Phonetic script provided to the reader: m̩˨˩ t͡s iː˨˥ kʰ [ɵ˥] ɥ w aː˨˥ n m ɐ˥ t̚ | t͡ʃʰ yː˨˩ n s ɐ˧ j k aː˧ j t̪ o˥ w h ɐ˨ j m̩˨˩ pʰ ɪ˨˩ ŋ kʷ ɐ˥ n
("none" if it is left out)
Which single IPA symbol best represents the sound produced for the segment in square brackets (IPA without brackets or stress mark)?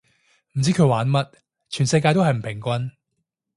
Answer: ɵ˨˧